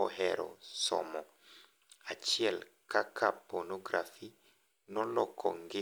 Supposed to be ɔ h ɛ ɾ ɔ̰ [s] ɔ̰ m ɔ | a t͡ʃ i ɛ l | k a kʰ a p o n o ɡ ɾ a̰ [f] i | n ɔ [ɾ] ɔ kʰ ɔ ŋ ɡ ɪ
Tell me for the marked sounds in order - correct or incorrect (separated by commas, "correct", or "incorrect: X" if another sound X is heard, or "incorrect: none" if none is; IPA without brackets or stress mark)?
correct, correct, incorrect: l